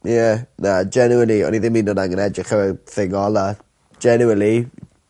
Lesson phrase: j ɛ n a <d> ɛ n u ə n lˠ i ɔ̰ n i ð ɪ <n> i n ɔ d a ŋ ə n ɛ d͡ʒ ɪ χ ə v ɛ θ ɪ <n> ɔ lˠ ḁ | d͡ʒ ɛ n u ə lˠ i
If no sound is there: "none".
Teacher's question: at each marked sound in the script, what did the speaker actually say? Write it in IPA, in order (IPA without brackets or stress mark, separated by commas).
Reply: d͡ʒ, m, ŋ